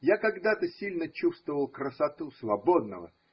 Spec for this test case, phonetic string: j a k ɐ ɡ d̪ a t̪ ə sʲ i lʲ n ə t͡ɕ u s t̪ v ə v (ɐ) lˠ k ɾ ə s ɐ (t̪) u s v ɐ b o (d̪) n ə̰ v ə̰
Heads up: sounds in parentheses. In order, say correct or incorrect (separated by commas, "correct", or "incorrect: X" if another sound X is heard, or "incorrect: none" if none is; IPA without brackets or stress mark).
incorrect: ə, correct, correct